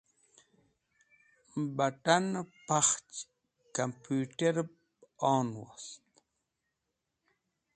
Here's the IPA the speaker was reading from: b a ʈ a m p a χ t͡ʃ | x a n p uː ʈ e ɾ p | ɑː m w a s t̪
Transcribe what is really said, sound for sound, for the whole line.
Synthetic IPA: b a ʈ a n p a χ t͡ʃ | k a m p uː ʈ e ɾ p | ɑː n w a s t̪